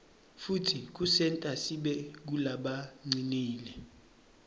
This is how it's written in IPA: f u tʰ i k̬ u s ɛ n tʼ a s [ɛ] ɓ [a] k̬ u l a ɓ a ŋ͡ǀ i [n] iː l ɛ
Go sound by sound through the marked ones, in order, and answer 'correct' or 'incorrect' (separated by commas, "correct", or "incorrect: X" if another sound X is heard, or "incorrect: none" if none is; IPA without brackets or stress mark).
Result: incorrect: i, incorrect: ɛ, correct